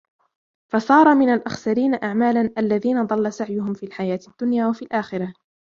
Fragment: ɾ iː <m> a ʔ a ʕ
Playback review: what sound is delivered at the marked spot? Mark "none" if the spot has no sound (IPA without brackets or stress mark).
n